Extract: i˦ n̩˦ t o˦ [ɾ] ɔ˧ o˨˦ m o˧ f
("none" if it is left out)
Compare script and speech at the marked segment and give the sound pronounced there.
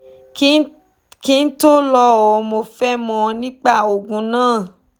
l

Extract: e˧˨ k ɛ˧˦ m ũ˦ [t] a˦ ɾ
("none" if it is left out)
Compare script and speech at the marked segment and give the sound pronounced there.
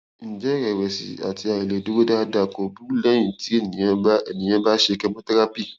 t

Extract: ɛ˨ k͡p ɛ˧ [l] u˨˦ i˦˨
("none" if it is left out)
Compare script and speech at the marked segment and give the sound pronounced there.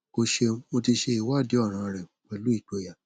l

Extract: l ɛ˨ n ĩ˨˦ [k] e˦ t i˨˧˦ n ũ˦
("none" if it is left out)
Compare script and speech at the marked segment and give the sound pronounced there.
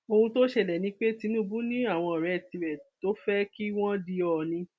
k͡p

